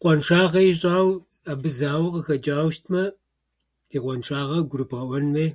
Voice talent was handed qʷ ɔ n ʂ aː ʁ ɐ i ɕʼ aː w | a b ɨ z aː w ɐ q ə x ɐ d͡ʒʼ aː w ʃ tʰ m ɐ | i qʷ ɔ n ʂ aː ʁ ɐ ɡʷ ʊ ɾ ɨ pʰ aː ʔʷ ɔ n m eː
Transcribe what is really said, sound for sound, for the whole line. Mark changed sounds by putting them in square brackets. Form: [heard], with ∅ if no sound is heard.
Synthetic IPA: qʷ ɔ n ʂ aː ʁ ɐ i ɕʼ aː w | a b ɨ z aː w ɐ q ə x ɐ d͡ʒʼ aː w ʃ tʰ m ɐ | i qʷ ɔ n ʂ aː ʁ ɐ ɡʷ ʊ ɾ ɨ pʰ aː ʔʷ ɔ n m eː